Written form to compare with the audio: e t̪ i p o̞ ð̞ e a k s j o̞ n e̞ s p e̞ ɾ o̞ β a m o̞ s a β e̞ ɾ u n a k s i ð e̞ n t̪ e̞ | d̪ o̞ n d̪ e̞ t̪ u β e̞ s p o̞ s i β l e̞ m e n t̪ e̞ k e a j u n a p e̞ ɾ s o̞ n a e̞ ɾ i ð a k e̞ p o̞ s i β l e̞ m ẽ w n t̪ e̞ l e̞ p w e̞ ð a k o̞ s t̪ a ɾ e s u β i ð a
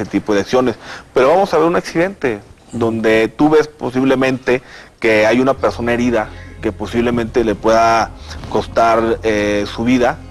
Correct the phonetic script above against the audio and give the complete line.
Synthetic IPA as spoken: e t̪ i p o̞ ð̞ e a k s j o̞ n e̞ s p e̞ ɾ o̞ β a m o̞ s a β e̞ ɾ u n a k s i ð e̞ n t̪ e̞ | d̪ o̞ n d̪ e̞ t̪ u β e̞ s p o̞ s i β l e̞ m ẽ n t̪ e̞ k e a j u n a p e̞ ɾ s o̞ n a e̞ ɾ i ð a k e̞ p o̞ s i β l e̞ m ẽ n t̪ e̞ l e̞ p w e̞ ð a k o̞ s t̪ a ɾ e s u β i ð a